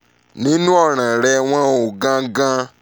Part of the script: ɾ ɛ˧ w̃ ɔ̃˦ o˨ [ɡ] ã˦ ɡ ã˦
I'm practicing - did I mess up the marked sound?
no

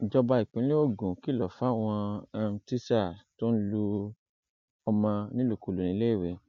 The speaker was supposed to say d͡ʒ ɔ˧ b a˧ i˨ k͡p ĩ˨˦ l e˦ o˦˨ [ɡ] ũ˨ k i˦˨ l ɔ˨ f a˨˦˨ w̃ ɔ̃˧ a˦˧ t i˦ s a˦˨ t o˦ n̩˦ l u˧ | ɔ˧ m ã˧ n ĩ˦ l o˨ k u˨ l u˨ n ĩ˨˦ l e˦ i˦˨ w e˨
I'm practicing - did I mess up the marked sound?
no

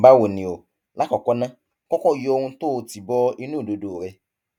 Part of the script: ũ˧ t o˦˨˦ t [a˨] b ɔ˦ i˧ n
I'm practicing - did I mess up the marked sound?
yes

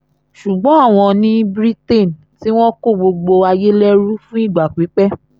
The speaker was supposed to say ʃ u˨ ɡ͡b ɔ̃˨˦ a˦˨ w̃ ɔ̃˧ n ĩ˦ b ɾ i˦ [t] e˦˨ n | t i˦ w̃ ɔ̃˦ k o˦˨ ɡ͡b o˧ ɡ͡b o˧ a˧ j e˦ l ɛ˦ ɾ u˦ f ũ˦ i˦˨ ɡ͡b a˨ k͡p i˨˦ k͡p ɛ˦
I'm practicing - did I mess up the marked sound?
no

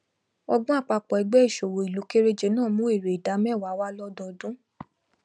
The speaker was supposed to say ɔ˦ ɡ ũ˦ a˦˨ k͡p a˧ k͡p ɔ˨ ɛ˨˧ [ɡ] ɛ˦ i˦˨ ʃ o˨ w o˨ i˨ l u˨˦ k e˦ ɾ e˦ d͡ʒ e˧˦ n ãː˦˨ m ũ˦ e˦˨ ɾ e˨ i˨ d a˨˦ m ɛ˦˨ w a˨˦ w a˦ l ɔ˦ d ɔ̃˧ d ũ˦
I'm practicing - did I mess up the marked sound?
yes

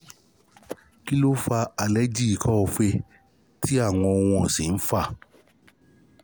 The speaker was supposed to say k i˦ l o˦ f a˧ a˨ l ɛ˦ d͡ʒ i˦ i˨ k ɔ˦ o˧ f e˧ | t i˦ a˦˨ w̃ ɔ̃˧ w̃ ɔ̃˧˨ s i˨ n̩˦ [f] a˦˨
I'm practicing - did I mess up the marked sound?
no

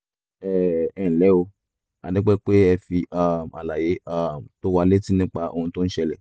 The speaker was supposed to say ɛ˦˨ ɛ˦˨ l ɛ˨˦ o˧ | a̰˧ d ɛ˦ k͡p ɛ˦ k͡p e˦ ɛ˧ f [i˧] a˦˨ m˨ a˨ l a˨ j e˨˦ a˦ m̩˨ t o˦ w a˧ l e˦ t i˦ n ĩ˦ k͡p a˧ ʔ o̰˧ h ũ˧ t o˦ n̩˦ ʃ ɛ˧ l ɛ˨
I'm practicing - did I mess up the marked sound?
no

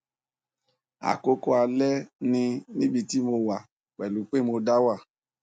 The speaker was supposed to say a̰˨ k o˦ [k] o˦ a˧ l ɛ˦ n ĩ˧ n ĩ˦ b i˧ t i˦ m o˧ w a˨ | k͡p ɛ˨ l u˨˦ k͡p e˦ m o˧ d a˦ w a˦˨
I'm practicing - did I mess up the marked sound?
no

